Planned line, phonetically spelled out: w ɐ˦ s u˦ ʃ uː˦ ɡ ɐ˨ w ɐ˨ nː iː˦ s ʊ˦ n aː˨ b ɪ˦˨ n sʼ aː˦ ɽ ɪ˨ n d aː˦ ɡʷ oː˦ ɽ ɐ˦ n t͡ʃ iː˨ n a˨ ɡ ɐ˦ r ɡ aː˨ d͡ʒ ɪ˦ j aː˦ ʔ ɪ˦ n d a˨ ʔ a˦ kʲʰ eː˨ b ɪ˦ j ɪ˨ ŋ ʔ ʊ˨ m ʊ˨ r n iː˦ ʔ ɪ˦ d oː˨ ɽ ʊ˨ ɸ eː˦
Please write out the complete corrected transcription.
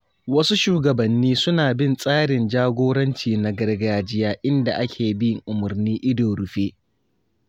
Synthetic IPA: w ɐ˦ s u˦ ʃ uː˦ ɡ ɐ˨ b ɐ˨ nː iː˦ s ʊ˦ n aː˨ b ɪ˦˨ n sʼ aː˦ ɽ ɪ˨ n d͡ʒ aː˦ ɡʷ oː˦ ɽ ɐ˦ n t͡ʃ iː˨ n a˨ ɡ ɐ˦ r ɡ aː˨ d͡ʒ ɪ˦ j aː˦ ʔ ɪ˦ n d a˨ ʔ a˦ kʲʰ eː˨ b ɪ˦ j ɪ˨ ŋ ʔ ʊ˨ m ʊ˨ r n iː˦ ʔ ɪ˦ d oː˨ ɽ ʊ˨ ɸ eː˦